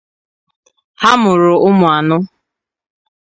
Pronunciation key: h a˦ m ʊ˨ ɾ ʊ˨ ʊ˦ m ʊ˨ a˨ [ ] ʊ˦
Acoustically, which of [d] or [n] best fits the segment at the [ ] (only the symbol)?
n